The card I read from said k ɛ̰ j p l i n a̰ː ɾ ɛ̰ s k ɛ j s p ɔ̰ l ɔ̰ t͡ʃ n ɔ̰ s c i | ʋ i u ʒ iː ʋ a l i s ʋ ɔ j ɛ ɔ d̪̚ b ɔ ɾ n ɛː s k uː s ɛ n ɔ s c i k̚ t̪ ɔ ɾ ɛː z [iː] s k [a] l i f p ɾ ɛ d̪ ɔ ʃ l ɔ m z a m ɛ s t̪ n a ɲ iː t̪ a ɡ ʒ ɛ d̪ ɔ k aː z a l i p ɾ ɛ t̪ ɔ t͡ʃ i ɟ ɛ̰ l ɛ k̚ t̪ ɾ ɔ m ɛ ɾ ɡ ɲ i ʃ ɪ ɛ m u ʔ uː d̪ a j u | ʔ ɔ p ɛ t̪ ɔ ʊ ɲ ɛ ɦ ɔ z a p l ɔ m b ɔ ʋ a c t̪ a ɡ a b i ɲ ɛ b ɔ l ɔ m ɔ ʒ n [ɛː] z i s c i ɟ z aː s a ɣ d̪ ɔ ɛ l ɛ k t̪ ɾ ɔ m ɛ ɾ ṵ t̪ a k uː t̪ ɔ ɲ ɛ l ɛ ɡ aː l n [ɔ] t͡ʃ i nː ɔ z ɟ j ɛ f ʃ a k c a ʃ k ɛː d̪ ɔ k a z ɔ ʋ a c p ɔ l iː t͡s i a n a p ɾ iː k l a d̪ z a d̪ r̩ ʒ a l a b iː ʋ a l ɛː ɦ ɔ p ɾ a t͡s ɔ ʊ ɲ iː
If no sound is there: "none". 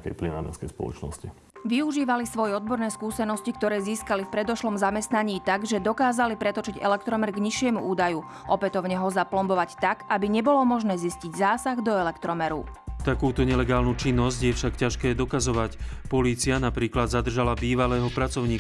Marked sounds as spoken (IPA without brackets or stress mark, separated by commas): iː, a, ɛː, u